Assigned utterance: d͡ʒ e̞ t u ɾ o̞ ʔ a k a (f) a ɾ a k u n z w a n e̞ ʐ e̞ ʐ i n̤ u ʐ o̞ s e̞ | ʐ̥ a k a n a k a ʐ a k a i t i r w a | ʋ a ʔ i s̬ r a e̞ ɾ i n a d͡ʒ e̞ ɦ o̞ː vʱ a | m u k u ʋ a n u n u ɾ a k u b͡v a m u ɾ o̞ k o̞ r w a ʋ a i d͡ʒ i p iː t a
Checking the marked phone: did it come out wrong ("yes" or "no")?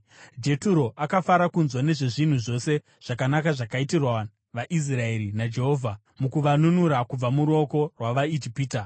no